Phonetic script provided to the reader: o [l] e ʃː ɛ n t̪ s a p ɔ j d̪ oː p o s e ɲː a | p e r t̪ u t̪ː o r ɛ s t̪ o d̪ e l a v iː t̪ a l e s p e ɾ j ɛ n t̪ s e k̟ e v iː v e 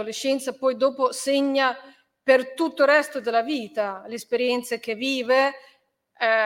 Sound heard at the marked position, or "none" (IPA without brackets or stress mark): l